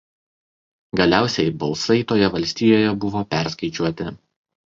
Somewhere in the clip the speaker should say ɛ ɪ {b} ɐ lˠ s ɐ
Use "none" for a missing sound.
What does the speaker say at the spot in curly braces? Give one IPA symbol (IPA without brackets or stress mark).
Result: b